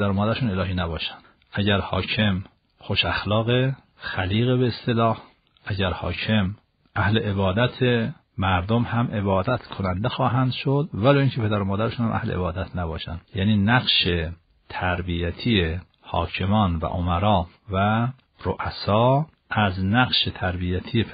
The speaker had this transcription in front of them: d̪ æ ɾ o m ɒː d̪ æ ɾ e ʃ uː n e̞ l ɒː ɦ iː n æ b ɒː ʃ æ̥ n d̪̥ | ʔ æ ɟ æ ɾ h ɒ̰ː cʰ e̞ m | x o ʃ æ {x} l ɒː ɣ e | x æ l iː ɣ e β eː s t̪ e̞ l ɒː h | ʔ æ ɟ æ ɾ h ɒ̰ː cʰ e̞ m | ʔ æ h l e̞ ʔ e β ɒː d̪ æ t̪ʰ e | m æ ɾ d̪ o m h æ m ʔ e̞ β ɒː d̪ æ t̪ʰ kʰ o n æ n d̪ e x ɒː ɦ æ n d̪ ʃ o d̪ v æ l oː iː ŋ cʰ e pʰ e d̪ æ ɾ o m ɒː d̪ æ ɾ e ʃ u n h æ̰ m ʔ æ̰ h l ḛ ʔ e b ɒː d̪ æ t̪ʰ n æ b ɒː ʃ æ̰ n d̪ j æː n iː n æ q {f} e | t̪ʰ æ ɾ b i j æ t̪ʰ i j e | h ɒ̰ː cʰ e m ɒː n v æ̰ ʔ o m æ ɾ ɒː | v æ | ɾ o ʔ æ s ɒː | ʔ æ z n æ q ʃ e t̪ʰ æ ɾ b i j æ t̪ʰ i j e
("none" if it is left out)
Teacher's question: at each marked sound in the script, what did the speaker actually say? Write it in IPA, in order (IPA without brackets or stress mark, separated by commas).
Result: x, ʃ